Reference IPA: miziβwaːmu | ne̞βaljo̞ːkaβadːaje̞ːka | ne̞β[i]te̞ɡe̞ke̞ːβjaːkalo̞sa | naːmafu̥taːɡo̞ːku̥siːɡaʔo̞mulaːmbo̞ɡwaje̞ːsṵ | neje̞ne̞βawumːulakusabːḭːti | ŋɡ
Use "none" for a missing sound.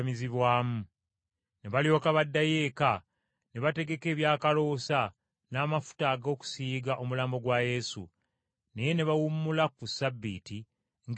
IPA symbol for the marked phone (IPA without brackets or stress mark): a